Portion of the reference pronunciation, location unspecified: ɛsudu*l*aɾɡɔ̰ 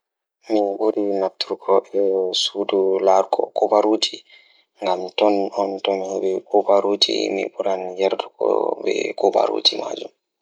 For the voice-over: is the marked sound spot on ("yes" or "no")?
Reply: yes